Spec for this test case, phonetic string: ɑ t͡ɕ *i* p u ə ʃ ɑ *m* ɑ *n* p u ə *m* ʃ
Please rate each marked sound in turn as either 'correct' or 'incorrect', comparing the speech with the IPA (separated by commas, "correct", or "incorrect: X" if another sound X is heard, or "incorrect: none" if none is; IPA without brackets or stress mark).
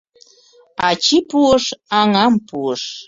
correct, incorrect: ŋ, incorrect: m, incorrect: none